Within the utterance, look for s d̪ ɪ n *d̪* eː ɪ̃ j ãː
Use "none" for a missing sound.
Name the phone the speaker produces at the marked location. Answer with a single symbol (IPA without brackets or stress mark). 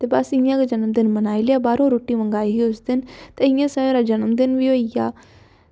t̪